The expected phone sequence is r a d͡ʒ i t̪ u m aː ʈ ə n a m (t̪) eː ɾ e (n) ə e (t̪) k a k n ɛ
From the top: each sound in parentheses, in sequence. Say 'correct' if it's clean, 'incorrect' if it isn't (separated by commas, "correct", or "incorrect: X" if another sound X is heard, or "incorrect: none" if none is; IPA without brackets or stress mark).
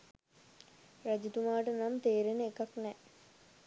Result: correct, correct, incorrect: none